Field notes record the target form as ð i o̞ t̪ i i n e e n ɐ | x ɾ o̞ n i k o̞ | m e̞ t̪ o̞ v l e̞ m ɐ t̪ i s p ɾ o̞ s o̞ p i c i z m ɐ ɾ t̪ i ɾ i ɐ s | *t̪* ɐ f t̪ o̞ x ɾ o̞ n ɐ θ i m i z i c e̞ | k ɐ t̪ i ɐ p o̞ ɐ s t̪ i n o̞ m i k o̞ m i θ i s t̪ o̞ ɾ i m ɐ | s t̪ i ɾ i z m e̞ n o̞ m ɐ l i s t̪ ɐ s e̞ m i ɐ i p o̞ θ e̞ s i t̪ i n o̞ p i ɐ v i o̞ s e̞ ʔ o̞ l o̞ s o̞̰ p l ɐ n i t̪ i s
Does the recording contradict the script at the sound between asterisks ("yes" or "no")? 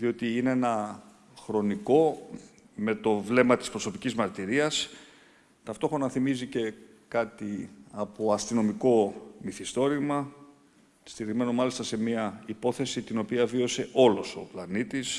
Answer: no